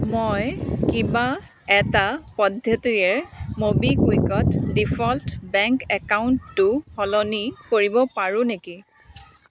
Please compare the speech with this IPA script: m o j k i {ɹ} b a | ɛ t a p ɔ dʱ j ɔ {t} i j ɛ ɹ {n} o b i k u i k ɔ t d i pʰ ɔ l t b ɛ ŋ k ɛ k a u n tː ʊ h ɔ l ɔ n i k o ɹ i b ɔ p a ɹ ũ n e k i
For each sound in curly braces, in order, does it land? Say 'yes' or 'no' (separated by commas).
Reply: no, yes, no